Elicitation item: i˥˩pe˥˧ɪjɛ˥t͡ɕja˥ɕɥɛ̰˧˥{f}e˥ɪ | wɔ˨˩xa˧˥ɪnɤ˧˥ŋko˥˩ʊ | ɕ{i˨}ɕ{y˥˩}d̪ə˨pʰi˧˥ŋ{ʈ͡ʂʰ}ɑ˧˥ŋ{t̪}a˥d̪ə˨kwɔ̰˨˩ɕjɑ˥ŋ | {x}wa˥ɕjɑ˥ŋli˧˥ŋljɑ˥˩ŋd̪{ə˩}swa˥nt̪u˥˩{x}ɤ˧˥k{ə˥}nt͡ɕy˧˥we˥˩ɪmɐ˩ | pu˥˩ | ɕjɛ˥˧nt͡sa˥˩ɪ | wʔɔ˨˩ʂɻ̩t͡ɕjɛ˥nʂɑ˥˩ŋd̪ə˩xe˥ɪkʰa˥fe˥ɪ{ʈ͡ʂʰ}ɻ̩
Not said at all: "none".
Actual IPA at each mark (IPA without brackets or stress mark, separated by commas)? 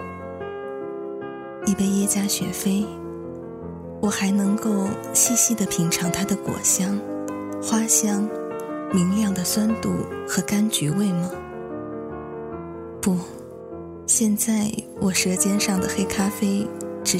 f, i˥˧, i˥˩, ʈ͡ʂʰ, t̪ʰ, x, ə˩, x, a˥, ʈ͡ʂ